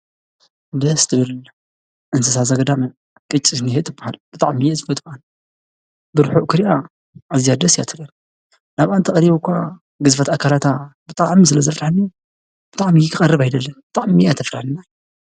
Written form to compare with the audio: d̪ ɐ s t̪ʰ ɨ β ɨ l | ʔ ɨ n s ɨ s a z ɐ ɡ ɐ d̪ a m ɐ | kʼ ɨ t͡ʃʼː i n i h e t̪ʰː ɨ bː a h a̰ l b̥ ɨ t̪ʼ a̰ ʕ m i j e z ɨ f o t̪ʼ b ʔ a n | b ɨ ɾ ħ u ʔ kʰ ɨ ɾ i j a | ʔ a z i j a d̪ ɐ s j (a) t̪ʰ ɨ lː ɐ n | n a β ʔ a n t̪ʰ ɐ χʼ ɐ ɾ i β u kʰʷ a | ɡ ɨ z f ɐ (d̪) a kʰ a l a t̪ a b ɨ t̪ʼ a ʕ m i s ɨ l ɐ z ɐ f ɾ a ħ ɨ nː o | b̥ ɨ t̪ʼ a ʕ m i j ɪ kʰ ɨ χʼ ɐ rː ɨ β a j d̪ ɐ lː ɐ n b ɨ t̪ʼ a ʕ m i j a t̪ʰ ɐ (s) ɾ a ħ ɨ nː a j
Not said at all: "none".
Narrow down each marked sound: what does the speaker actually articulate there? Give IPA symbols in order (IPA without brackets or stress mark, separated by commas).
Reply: a, t̪, f